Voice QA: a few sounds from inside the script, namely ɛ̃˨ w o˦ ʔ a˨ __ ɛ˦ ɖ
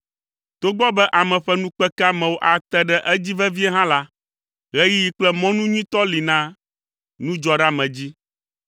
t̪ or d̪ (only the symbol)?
t̪